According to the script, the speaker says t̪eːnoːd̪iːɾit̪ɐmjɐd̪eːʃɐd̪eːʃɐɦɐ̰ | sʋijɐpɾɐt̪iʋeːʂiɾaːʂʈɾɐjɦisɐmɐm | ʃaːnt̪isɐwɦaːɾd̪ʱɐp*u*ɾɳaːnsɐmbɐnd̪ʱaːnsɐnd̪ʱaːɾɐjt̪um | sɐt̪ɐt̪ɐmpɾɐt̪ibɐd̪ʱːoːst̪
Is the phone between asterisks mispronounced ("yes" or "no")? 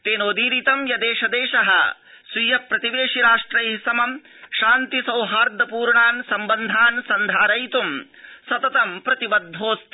yes